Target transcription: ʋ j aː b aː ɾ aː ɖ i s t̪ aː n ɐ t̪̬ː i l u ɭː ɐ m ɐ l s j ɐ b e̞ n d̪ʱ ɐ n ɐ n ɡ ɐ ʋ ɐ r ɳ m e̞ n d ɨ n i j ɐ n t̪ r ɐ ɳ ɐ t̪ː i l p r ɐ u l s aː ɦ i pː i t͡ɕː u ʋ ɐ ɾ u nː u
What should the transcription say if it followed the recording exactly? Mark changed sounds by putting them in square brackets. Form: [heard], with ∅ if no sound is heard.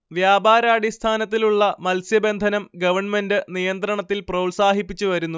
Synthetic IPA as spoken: ʋ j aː b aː ɾ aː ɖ i s [t̪ʰ] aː n ɐ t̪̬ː i l u ɭː ɐ m ɐ l s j ɐ b e̞ n d̪ʱ ɐ n ɐ [m] ɡ ɐ ʋ ɐ r ɳ m e̞ n d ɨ n i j ɐ n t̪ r ɐ ɳ ɐ t̪ː i l p r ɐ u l s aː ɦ i pː i t͡ɕː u ʋ ɐ ɾ u nː u